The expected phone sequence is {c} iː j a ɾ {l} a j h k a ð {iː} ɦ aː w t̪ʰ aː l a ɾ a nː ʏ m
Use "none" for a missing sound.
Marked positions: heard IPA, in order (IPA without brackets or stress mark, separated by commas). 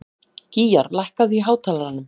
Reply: c, l, i